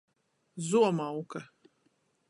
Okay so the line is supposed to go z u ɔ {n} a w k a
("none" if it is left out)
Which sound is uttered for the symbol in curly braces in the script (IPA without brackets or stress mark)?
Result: m